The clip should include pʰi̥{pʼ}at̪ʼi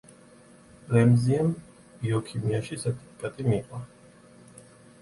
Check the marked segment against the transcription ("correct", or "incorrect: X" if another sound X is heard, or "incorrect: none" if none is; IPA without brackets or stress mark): incorrect: kʼ